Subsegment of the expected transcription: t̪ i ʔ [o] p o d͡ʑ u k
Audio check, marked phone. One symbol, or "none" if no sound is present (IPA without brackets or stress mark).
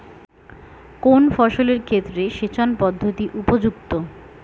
u